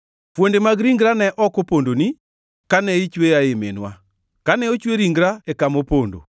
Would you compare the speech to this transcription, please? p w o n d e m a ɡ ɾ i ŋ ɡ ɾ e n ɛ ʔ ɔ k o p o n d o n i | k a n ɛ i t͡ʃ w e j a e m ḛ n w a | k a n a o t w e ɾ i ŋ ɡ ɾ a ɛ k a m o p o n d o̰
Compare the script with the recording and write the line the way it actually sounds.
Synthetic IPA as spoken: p w o n d e m a ɡ ɾ i ŋ ɡ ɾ a n ɛ ʔ ɔ k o p o n d o n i | k a n ɛ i t͡ʃ w e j a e m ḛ n w a | k a n ɛ o t͡ʃ w e ɾ i ŋ ɡ ɾ a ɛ k a m o p o n d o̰